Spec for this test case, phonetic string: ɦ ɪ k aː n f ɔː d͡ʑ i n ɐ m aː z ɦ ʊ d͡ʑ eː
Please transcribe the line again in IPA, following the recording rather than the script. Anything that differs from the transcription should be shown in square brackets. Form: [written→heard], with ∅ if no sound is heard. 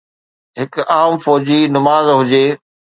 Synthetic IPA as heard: ɦ ɪ k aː [n→m] f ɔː d͡ʑ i n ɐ m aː z ɦ ʊ d͡ʑ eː